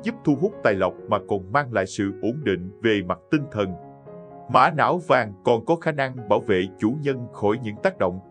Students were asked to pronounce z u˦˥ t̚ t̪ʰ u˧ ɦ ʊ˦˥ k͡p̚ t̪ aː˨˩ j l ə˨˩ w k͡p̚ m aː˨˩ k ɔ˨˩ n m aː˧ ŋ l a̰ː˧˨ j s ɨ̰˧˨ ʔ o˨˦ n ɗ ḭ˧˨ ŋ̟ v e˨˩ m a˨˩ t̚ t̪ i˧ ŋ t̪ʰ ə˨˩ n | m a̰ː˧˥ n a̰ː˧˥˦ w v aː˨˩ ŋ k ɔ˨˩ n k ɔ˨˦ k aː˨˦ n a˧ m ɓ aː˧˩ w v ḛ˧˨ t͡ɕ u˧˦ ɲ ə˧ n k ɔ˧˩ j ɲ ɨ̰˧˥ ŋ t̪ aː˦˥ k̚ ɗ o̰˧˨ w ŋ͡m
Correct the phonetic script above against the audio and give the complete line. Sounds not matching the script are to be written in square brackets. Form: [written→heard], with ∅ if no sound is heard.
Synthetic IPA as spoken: z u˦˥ [t̚→p̚] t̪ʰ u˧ ɦ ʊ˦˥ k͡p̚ t̪ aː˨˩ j l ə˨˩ w k͡p̚ m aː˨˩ k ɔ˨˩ n m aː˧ ŋ l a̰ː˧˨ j s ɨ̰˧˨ ʔ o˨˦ n ɗ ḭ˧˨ ŋ̟ v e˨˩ m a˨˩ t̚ t̪ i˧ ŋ t̪ʰ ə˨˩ n | m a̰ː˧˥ n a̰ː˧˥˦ w v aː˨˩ ŋ k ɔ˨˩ n k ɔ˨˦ [k→x] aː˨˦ n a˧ [m→ŋ] ɓ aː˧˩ w v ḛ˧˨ t͡ɕ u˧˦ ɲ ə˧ n [k→x] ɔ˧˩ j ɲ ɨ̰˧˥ ŋ t̪ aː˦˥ k̚ ɗ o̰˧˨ w ŋ͡m